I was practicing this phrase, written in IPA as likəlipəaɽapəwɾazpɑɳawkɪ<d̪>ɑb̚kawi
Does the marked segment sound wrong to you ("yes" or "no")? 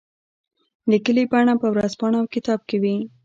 yes